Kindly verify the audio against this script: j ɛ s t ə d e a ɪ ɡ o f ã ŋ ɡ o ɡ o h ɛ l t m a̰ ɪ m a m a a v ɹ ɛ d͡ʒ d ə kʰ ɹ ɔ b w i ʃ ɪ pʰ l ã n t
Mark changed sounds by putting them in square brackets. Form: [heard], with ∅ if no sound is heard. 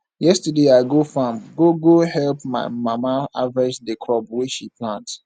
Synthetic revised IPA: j ɛ s t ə d e a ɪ ɡ o f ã [m] ɡ o ɡ o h ɛ l [p] m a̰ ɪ m a m a a v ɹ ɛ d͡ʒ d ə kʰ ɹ ɔ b w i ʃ [i] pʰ l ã n t